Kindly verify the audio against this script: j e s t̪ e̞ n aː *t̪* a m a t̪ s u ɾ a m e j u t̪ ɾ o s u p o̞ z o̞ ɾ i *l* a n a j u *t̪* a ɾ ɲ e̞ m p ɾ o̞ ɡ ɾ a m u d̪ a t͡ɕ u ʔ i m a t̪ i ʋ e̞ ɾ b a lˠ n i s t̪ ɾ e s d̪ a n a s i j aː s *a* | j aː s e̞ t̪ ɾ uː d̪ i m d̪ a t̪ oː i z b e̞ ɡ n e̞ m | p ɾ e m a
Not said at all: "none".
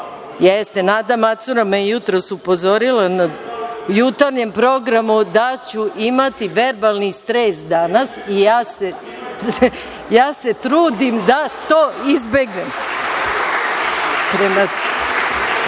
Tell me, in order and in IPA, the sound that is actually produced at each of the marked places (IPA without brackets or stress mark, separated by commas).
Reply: d̪, l, t̪, e